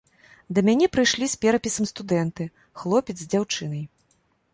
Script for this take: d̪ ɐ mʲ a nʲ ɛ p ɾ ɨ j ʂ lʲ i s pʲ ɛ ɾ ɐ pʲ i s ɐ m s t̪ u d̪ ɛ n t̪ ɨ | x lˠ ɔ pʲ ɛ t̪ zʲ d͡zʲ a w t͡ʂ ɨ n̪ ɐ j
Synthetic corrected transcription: d̪ ɐ mʲ a nʲ ɛ p ɾ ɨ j ʂ lʲ i s pʲ ɛ ɾ ɐ pʲ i s ɐ m s t̪ u d̪ ɛ n t̪ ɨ | x lˠ ɔ pʲ ɛ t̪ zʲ d͡zʲ a w t͡ʂ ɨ n̪ ɐ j